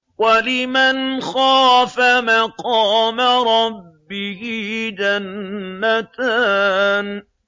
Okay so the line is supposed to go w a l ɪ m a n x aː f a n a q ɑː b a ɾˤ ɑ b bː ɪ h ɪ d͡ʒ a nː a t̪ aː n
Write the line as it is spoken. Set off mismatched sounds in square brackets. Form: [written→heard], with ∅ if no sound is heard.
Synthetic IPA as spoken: w a l ɪ m a n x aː f a [n→m] a q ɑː [b→m] a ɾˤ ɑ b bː ɪ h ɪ d͡ʒ a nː a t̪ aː n